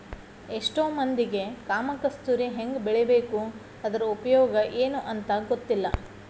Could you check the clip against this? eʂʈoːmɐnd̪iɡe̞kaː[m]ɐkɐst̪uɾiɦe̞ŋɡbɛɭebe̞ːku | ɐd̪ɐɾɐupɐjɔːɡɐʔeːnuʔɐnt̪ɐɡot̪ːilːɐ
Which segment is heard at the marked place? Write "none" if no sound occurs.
m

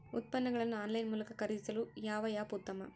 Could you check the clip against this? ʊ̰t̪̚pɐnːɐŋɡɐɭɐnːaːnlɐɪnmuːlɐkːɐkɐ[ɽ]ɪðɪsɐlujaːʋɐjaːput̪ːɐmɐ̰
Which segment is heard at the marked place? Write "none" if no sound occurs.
ɾ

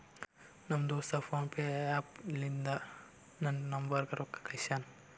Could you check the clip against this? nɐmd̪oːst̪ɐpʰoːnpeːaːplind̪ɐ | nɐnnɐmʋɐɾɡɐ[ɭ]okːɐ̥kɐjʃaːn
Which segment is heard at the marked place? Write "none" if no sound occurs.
ɾ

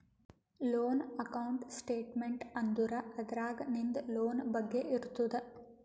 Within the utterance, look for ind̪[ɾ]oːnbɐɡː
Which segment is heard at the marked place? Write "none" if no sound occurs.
l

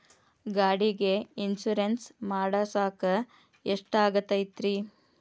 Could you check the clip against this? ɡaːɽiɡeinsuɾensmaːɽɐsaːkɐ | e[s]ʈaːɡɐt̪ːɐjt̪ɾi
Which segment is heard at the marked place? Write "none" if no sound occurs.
ʂ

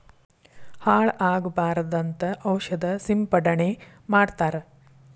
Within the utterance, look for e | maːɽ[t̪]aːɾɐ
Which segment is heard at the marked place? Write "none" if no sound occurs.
t̪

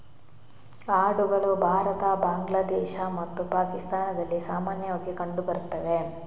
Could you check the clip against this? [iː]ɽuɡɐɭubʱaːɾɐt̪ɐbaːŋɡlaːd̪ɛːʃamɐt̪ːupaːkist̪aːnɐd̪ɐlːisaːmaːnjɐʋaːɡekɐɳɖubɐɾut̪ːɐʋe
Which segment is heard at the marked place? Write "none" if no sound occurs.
aː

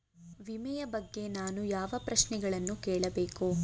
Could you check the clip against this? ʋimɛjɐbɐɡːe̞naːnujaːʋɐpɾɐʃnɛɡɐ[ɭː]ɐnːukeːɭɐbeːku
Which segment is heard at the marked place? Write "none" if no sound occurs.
ɭ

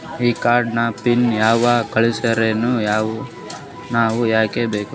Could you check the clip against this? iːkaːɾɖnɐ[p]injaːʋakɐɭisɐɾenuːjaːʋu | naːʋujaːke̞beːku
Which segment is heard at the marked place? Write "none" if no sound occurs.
p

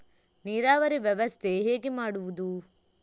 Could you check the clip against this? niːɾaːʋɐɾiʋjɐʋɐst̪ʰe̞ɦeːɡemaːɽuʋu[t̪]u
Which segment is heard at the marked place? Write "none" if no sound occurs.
d̪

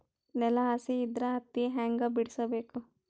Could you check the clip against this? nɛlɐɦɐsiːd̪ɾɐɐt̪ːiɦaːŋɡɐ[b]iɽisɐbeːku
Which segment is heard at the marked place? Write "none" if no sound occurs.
b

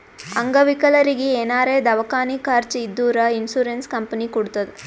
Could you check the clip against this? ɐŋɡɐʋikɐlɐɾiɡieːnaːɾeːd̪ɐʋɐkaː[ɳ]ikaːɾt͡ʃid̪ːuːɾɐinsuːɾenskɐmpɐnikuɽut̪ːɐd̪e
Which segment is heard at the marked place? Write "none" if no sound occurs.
n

